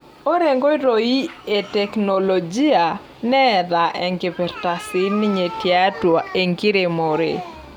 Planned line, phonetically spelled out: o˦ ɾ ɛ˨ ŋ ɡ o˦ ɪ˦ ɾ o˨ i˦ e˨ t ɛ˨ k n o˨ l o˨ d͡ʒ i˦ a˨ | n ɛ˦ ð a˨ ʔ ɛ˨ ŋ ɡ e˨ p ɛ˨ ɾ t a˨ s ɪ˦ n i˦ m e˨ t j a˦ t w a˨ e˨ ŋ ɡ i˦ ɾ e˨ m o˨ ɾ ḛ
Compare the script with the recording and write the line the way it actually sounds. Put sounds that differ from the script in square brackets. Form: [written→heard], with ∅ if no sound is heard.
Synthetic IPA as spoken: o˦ ɾ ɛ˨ ŋ ɡ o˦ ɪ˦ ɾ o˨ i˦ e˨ t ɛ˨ k n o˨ l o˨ d͡ʒ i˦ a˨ | n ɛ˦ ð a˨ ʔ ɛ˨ ŋ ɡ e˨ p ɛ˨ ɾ t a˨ s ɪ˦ n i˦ [m→ɲ] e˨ t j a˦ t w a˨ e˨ ŋ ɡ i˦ ɾ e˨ m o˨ ɾ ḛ